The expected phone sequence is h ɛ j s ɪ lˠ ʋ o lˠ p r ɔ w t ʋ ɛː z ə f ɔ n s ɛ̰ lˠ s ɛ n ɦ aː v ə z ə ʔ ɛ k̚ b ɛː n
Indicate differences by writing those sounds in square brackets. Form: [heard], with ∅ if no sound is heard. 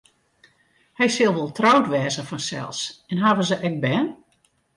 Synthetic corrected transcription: h ɛ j s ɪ lˠ ʋ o lˠ [t] r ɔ w t ʋ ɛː z ə f ɔ n s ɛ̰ lˠ s ɛ n ɦ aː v ə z ə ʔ ɛ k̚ b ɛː n